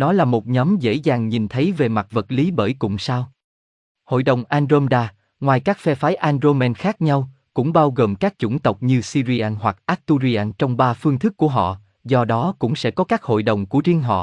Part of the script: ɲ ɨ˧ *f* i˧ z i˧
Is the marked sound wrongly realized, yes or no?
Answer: yes